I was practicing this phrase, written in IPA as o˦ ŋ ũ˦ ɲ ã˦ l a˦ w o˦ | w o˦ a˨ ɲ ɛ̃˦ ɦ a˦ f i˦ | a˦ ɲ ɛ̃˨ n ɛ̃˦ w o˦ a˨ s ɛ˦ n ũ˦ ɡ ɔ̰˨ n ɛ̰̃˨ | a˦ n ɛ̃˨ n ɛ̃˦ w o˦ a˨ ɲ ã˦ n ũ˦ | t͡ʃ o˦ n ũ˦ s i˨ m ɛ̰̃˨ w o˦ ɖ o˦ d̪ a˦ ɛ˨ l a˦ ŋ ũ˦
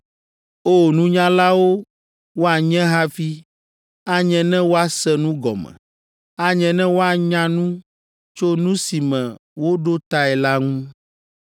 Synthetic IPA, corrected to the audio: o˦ n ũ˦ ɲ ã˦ l a˦ w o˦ | w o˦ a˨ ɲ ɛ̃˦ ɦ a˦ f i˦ | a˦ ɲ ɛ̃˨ n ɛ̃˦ w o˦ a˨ s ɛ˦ n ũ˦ ɡ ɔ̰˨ m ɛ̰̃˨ | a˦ ɲ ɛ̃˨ n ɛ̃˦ w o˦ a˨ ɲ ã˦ n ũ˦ | t͡ʃ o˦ n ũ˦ s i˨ m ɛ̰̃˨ w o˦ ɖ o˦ t̪ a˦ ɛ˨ l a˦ ŋ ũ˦